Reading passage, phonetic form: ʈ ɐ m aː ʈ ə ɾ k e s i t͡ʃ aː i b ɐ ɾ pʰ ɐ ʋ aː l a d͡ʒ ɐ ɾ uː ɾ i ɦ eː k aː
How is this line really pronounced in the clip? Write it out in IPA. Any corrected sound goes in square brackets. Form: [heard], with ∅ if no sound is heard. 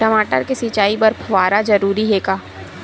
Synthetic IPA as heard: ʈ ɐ m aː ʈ ə ɾ k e s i t͡ʃ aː i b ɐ ɾ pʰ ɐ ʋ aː [ɾ] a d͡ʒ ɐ ɾ uː ɾ i ɦ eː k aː